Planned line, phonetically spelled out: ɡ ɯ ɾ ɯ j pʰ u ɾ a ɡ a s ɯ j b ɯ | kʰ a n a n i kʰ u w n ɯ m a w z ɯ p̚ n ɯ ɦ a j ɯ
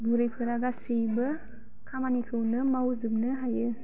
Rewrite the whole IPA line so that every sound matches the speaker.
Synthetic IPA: ɡ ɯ ɾ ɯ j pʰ ɯ ɾ a ɡ a s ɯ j b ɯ | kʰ a m a n i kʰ ɯ w n ɯ m a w z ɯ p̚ n ɯ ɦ a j ɯ